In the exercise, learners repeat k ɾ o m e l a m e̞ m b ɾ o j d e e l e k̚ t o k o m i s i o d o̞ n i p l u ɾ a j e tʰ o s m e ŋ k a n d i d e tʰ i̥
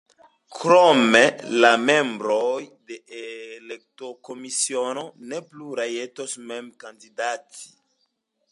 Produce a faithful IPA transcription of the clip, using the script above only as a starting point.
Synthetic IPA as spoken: k ɾ o m e l a m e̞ m b ɾ o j d e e l e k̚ t o k o m i s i o n o̞ n e p l u ɾ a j e t o s m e m k a n d i d a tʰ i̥